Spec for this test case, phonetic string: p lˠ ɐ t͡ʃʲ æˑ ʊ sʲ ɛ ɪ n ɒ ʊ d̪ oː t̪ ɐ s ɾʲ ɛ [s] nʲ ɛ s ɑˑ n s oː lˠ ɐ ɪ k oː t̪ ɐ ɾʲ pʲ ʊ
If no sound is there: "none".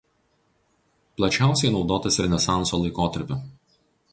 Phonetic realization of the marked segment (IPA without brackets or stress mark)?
none